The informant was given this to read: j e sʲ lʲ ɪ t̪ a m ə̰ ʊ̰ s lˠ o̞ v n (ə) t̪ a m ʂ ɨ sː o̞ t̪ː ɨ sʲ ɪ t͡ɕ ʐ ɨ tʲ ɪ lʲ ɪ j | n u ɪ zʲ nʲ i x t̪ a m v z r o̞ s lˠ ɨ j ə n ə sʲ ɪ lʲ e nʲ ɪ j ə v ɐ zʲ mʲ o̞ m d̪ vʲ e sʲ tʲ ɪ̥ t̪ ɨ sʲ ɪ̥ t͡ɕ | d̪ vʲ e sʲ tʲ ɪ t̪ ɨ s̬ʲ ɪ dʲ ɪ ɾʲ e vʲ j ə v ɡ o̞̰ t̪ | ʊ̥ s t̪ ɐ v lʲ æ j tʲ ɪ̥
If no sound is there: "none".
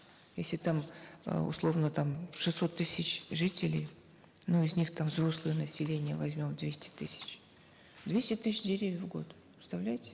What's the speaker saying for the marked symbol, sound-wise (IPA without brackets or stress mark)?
ə